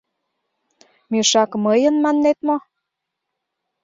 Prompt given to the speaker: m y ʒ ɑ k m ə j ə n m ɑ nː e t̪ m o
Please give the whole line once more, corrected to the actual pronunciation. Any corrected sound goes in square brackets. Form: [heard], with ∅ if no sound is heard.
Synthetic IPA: m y [ʃ] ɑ k m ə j ə n m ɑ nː e t̪ m o